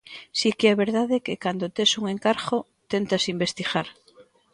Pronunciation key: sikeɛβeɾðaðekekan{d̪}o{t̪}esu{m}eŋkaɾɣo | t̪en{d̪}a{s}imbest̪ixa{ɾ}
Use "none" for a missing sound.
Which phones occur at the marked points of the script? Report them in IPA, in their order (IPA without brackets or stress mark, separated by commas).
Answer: d̪, t̪, ŋ, t̪, s, ɾ